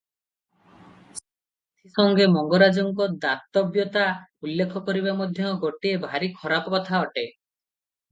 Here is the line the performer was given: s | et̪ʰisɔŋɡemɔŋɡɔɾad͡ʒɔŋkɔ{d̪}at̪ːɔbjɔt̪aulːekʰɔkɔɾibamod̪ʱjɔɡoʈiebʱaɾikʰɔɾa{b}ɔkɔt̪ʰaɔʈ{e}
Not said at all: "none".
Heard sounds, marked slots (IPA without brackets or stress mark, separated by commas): d̪, p, e